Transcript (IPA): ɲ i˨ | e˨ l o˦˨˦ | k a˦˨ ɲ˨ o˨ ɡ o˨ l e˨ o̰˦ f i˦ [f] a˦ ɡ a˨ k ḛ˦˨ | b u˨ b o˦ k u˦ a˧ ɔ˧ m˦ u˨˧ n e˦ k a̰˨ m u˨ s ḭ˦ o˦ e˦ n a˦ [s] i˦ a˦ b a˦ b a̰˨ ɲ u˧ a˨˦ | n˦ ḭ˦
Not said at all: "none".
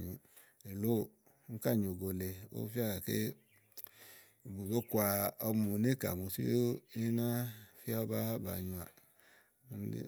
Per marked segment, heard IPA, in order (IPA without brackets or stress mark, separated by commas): none, f